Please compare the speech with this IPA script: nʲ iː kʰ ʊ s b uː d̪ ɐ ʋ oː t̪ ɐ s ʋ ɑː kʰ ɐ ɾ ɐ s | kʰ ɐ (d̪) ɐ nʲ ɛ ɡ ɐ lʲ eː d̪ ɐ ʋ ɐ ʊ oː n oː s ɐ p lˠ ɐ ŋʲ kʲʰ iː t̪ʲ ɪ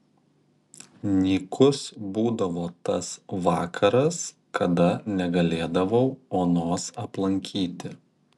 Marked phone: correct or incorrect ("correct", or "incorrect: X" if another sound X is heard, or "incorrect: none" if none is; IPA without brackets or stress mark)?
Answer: correct